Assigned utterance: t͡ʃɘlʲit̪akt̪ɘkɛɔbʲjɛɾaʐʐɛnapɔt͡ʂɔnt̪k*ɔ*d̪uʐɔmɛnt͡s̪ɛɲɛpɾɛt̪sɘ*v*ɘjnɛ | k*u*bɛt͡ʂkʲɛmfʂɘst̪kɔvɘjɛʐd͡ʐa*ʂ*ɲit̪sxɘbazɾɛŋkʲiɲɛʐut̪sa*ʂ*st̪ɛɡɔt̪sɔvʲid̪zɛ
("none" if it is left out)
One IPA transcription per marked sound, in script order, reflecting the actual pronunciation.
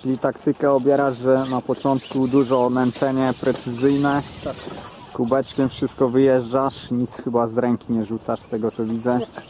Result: u, z, u, ʂ, ʂ

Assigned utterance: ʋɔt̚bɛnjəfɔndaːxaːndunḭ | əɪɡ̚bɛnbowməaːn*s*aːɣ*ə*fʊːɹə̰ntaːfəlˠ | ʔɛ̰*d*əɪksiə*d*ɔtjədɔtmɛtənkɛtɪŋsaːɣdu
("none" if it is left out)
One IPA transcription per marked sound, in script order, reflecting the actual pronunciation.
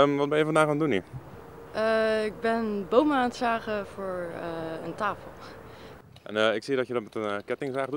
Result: s, ə, n, d

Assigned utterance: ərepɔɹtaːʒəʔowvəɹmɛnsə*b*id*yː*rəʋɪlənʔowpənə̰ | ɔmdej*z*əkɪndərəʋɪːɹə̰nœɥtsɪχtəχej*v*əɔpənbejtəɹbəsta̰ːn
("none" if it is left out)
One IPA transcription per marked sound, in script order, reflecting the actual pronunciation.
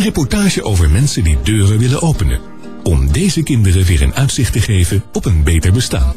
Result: d, øː, z, v

